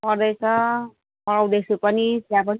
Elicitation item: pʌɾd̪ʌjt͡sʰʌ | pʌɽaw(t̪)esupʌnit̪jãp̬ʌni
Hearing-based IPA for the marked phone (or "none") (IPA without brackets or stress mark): d̪